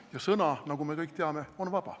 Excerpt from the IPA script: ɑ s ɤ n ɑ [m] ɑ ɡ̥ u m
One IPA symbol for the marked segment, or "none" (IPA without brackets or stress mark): n